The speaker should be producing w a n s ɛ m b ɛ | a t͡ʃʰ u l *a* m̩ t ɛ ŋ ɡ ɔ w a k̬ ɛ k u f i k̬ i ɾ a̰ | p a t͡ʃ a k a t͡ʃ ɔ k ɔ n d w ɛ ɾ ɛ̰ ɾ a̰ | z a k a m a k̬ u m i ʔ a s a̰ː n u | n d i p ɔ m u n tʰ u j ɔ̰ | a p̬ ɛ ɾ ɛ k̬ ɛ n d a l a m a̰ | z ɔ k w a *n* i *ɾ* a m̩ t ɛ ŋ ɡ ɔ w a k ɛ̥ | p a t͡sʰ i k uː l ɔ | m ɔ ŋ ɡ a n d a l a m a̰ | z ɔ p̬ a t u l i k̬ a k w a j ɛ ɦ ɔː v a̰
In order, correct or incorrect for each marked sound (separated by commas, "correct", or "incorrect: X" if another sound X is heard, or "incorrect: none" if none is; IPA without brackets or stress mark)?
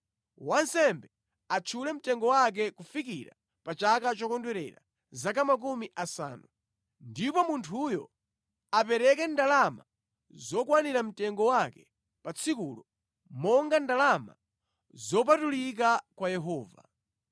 incorrect: ɛ, correct, correct